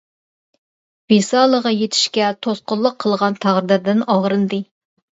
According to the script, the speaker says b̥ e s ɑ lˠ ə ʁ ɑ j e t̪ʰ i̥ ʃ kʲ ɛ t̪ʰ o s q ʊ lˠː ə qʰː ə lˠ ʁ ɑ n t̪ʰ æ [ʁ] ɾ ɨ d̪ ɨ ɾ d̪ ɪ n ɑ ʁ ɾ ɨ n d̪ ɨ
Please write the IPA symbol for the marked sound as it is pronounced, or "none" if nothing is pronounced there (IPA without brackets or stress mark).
ʁ